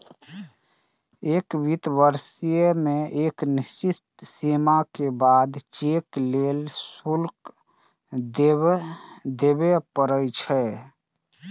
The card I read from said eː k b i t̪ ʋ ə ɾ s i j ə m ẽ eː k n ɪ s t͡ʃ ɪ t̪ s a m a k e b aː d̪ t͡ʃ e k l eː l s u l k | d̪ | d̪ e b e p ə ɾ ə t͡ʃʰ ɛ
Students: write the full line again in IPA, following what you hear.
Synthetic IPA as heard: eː k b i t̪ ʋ ə ɾ s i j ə m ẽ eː k n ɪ s t͡ʃ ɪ t̪ s i m a k e b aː d̪ t͡ʃ e k l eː l s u l k | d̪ | d̪ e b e p ə ɾ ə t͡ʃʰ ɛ

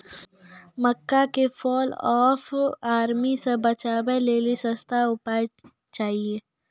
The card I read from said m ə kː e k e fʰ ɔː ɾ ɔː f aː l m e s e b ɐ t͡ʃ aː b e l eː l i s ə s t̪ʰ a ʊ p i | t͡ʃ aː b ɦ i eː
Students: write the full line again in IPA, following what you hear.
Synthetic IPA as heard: m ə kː a k e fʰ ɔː l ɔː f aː ɾ m i s e b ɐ t͡ʃ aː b e l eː l i s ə s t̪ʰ a ʊ p a | t͡ʃ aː ɦ i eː

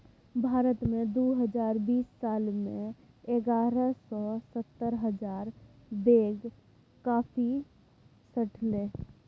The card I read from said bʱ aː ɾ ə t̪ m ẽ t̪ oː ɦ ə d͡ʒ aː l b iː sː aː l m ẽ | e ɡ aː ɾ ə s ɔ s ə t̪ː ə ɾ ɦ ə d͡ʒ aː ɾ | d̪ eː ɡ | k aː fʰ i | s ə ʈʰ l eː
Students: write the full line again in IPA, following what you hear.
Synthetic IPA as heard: bʱ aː ɾ ə t̪ m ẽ d̪ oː ɦ ə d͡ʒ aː ɾ b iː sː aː l m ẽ | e ɡ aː ɾ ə s ɔ s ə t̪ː ə ɾ ɦ ə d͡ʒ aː ɾ | d̪ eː ɡ | k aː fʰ i | s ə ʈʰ l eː

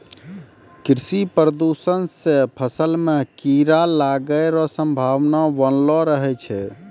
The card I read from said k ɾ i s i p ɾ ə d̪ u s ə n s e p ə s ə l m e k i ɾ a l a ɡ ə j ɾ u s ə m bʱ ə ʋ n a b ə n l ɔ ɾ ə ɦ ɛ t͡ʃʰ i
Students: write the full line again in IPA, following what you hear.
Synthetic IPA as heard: k ɾ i s i p ɾ ə d̪ u s ə n s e pʰ ə s ə l m e k i ɾ a l a ɡ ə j ɾ ɔ s ə m bʱ a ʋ n a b ə n l ɔ ɾ ə ɦ ɛ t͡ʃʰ ɛ

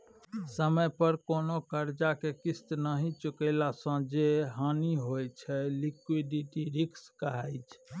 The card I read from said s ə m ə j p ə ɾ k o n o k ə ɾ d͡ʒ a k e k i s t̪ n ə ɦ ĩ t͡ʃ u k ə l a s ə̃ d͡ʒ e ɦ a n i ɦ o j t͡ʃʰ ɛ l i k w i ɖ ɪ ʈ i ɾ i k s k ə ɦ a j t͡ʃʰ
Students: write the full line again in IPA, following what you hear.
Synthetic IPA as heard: s ə m ə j p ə ɾ k o n o k ə ɾ d͡ʒ a k e k i s t̪ n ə ɦ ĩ t͡ʃ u k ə l a s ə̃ d͡ʒ e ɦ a n i ɦ o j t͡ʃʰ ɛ l i k w i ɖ i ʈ i ɾ i k s k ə ɦ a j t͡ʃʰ

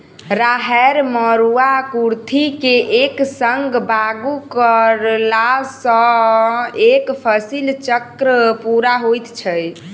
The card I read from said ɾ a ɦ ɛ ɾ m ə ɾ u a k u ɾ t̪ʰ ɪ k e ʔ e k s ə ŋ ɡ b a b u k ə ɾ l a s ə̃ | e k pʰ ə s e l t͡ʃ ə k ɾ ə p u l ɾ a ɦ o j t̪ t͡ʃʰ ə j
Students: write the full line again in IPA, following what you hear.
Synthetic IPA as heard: ɾ a ɦ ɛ ɾ m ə ɾ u a k u ɾ t̪ʰ i k e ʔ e k s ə ŋ ɡ b a ɡ u k ə ɾ l a s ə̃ | e k pʰ ə s i l t͡ʃ ə k ɾ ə p u ɾ a ɦ o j t̪ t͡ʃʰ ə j

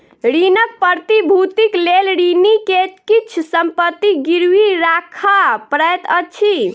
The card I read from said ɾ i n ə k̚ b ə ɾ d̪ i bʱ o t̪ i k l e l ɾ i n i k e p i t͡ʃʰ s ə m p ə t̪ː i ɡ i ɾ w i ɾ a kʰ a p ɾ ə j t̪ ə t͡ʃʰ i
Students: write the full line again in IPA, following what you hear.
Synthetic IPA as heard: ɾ i n ə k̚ p ə ɾ t̪ i bʱ u t̪ i k l e l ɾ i n i k e k i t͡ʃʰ s ə m p ə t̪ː i ɡ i ɾ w i ɾ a kʰ a p ɾ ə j t̪ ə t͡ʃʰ i

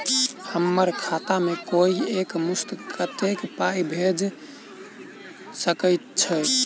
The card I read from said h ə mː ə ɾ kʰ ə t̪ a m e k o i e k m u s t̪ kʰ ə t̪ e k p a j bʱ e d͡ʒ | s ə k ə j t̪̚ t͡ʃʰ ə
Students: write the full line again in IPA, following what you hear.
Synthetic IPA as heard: h ə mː ə ɾ kʰ a t̪ a m e k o i e k m u s t̪ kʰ ə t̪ e k p a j bʱ e d͡ʒ | s ə k ə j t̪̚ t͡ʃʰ ə

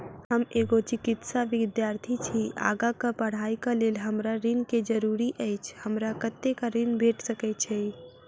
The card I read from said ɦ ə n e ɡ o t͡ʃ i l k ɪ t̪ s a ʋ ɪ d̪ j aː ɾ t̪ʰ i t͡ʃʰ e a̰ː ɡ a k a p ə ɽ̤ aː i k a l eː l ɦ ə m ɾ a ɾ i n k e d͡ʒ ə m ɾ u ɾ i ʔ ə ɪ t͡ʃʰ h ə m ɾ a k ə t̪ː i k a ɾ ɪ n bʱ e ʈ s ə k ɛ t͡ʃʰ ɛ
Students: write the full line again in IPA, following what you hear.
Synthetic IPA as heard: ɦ ə m e ɡ o t͡ʃ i k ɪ t̪ s a ʋ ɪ d̪ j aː ɾ t̪ʰ i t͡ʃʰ i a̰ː ɡ a k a p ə ɽ̤ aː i k a l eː l ɦ ə m ɾ a ɾ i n k e d͡ʒ ə ɾ u ɾ i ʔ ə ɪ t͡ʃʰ h ə m ɾ a k ə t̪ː e k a ɾ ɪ n bʱ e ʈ s ə k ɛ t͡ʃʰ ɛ

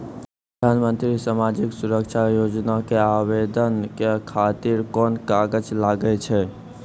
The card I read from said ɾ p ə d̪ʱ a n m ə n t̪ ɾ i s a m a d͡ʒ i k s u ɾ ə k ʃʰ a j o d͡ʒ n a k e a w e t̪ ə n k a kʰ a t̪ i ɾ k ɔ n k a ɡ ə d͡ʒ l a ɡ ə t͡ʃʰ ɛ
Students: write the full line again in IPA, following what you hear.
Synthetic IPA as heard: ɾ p ə d̪ʱ a n m ə n t̪ ɾ i s a m a d͡ʒ i k s u ɾ ə k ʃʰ a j o d͡ʒ n a k e a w e d̪ ə n k e kʰ a t̪ i ɾ k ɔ n k a ɡ ə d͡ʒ l a ɡ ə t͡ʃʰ ɛ

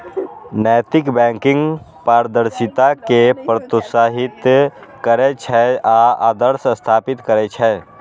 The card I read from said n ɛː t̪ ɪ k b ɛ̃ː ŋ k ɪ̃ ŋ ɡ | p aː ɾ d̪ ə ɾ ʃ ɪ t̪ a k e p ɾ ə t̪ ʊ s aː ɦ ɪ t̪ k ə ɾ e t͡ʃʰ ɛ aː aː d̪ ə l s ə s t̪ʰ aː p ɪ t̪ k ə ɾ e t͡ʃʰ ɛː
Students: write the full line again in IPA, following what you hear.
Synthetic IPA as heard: n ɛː t̪ ɪ k b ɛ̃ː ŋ k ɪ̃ ŋ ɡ | p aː ɾ d̪ ə ɾ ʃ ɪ t̪ a k e p ɾ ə t̪ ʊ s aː ɦ ɪ t̪ k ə ɾ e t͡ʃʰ ɛ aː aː d̪ ə ɾ s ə s t̪ʰ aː p ɪ t̪ k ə ɾ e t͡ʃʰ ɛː

